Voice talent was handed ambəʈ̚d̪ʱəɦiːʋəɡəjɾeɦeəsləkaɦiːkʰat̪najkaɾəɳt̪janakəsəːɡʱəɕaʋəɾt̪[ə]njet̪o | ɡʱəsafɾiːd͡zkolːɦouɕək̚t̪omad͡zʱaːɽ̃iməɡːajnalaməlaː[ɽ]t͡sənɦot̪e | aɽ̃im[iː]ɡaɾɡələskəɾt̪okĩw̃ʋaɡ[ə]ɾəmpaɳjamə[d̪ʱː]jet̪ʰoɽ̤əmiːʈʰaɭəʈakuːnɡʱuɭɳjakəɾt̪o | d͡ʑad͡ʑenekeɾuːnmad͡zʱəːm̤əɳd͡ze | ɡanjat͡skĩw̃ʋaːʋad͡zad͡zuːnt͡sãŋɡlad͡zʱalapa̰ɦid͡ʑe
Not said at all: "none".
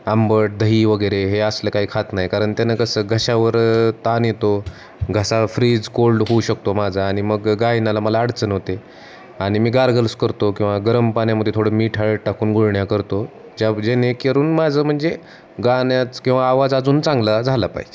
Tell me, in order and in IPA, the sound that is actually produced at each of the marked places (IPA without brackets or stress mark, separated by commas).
a, ɽ, iː, ə, d̪ʱ